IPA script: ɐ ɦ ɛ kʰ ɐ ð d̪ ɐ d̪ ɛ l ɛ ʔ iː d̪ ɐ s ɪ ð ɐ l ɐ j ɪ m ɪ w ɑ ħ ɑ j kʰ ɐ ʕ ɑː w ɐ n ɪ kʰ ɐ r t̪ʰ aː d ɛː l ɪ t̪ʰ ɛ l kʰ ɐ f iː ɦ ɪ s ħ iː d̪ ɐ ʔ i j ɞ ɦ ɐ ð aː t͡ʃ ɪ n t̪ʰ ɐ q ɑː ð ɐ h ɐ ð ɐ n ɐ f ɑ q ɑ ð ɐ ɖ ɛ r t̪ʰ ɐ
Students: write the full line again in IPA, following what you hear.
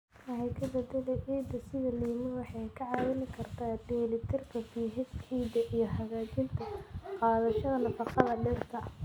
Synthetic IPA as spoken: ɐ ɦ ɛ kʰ ɐ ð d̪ ɐ d̪ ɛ l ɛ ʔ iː d̪ ɐ s ɪ ð ɐ l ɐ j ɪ m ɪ w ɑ ħ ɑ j kʰ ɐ ʕ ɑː w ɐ n ɪ kʰ ɐ r t̪ʰ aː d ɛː l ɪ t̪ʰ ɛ r kʰ ɐ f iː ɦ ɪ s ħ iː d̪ ɐ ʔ i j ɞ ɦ ɐ ɣ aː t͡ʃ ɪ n t̪ʰ ɐ q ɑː ð ɐ ʃ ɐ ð ɐ n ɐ f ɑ q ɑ ð ɐ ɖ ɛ r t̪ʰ ɐ